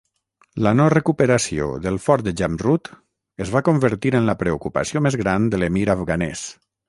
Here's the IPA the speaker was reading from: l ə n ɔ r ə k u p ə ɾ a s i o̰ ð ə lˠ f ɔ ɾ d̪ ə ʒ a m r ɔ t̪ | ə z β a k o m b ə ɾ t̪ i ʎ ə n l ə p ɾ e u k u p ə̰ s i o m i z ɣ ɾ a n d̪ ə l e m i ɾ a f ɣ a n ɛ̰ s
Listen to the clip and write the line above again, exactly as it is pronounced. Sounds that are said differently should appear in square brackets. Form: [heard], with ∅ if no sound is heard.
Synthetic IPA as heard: l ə n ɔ r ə k u p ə ɾ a s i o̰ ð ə lˠ f ɔ ɾ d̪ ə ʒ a m r [u] t̪ | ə z β a k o m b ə ɾ t̪ i [ɾ] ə n l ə p ɾ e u k u p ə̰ s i o m [e] z ɣ ɾ a n d̪ ə l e m i ɾ a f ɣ a n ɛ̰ s

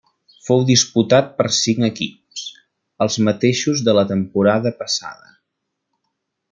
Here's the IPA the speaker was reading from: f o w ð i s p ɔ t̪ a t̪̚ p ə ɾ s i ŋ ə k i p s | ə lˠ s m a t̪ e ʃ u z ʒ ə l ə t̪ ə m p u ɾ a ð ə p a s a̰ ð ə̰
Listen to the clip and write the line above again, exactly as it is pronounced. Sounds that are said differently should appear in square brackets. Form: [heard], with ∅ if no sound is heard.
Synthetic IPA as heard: f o w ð i s p [u] t̪ a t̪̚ p ə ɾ s i ŋ ə k i p s | ə lˠ [z] m [ə] t̪ e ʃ u z [ð] ə l ə t̪ ə m p u ɾ a ð ə p [ə] s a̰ ð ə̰

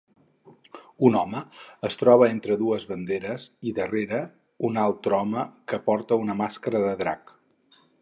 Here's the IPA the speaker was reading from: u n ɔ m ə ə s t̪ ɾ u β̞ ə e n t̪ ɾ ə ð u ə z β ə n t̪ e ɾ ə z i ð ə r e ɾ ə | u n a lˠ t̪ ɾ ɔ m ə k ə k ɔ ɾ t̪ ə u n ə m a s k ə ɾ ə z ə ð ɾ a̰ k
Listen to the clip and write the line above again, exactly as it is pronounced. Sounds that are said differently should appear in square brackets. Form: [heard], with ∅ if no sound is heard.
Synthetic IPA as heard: u n ɔ m ə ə s t̪ ɾ [ɔ] β̞ ə e n t̪ ɾ ə ð u ə z β ə n [d̪] e ɾ ə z i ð ə r e ɾ ə | u n a lˠ t̪ ɾ ɔ m ə k ə [p] ɔ ɾ t̪ ə u n ə m a s k ə ɾ ə [ð] ə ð ɾ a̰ k

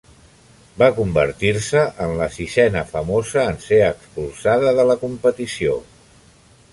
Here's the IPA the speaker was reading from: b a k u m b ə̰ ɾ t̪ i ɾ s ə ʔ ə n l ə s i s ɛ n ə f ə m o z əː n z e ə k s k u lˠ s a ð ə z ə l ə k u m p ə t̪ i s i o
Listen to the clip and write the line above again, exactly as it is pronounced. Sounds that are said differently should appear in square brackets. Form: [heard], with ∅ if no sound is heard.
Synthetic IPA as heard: b a k u m b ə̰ ɾ t̪ i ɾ s ə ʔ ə n l ə s i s ɛ n ə f ə m o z əː n [s] e ə k s [p] u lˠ s a ð ə [ð] ə l ə k u m p ə t̪ i s i o

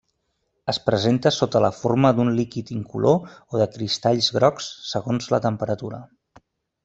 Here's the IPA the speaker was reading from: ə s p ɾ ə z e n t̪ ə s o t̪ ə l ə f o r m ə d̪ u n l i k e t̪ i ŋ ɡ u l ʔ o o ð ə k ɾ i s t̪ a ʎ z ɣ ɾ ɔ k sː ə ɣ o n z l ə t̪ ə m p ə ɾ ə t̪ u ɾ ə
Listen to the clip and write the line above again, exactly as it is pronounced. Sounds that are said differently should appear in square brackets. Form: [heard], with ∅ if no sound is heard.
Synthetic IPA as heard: ə s p ɾ ə z e n t̪ ə s o t̪ ə l ə f o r m ə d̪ u n l i k [i] t̪ i ŋ [k] u l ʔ o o ð ə k ɾ i s t̪ a ʎ z ɣ ɾ ɔ k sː ə ɣ o n z l ə t̪ ə m p ə ɾ ə t̪ u ɾ ə

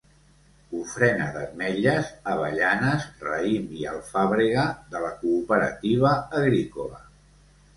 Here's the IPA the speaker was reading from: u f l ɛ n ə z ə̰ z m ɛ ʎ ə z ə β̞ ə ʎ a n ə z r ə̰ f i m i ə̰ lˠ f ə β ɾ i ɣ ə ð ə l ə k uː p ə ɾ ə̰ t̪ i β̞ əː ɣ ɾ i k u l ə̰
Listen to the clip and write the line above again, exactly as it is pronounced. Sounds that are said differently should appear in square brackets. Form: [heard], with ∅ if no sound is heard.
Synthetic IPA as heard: u f [ɾ] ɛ n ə [ð] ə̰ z m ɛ ʎ ə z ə β̞ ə ʎ a n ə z r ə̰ [∅] i m i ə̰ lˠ f [a] β ɾ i ɣ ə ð ə l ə k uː p ə ɾ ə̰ t̪ i β̞ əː ɣ ɾ i k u l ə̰

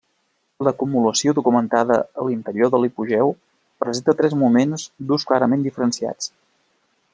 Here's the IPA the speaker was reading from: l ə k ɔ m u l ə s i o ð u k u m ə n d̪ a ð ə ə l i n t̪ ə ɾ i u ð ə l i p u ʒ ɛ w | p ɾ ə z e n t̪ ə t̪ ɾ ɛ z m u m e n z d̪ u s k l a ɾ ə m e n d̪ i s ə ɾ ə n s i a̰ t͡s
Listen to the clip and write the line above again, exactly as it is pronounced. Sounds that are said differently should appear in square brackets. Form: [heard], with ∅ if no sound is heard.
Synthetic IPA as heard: l ə k [u] m u l ə s i o ð u k u m ə n [t̪] a ð ə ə l i n t̪ ə ɾ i [o] ð ə l i p u ʒ ɛ w | p ɾ ə z e n t̪ ə t̪ ɾ ɛ z m u m e n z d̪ u s k l a ɾ ə m e n d̪ i [f] ə ɾ ə n s i a̰ t͡s

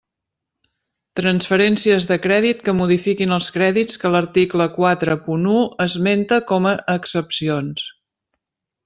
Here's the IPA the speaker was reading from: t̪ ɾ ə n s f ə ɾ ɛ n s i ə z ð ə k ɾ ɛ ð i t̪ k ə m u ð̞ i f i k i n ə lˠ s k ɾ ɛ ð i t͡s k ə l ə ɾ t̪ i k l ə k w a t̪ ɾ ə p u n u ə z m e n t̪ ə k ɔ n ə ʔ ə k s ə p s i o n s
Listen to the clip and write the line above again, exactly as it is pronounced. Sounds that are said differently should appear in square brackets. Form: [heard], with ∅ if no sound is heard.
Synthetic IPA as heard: t̪ ɾ ə n s f ə ɾ ɛ n s i ə z ð ə k ɾ ɛ ð i t̪ k ə m u ð̞ i f i k i n ə lˠ s k ɾ ɛ ð i t͡s k ə l ə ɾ t̪ i k l ə k w a t̪ ɾ ə p u n u ə z m e n t̪ ə k ɔ [m] ə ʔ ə k s ə p s i o n s

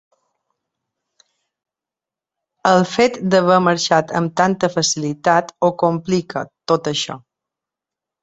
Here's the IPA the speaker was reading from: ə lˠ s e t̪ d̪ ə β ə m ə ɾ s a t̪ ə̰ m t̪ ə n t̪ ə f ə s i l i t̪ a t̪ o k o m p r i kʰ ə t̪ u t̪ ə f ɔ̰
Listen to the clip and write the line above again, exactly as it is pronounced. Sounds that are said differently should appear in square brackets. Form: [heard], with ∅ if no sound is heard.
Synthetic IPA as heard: ə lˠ [f] e t̪ d̪ ə β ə m ə ɾ [ʃ] a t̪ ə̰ m t̪ [a] n t̪ ə f ə s i l i t̪ a t̪ o k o m p [l] i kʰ ə t̪ [o] t̪ ə [ʃ] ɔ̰

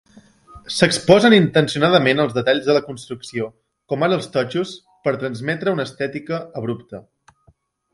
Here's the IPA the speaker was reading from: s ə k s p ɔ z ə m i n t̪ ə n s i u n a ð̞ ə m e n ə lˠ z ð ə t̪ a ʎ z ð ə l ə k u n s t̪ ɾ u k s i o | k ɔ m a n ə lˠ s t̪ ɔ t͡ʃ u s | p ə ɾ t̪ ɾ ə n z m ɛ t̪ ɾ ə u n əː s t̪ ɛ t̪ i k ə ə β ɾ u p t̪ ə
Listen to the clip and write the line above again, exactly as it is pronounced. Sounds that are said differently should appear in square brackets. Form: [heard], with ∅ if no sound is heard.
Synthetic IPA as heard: s ə k s p ɔ z ə [n] i n t̪ ə n s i u n a ð̞ ə m e n ə lˠ z ð ə t̪ a ʎ z ð ə l ə k u n s t̪ ɾ u k s i o | k ɔ m a n ə lˠ s t̪ ɔ t͡ʃ u s | p ə ɾ t̪ ɾ ə n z m ɛ t̪ ɾ ə u n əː s t̪ ɛ t̪ i k ə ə β ɾ u p t̪ ə

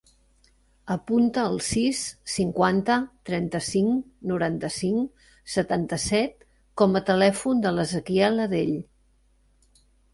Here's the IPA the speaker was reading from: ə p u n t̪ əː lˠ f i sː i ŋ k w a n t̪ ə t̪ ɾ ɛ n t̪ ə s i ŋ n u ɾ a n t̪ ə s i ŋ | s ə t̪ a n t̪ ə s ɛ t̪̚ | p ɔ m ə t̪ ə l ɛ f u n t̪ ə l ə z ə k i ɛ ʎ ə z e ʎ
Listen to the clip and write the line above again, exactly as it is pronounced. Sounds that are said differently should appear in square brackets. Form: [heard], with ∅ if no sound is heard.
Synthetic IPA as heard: ə p u n t̪ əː lˠ [s] i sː i ŋ k w a n t̪ ə t̪ ɾ ɛ n t̪ ə s i ŋ n u ɾ a n t̪ ə s i ŋ | s ə t̪ a n t̪ ə s ɛ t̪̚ | [k] ɔ m ə t̪ ə l ɛ f u n [d̪] ə l ə z ə k i ɛ [l] ə [ð] e ʎ

